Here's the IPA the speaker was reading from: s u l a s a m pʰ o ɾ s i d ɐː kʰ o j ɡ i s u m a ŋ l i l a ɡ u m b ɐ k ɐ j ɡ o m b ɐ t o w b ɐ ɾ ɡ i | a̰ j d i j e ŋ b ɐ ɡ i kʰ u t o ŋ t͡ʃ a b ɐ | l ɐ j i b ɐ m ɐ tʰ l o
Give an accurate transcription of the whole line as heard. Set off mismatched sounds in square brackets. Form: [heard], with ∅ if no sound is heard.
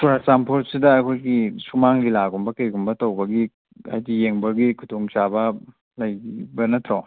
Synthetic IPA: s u [ɾ] a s a m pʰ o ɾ s i d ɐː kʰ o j ɡ i s u m a ŋ l i l a ɡ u m b ɐ k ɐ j ɡ [u] m b ɐ t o w b ɐ [∅] ɡ i | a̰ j d i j e ŋ b ɐ ɡ i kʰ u t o ŋ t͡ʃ a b ɐ | l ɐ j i b ɐ [n] ɐ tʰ [ɾ] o